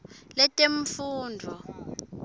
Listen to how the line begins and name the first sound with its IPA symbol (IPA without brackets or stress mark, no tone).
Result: l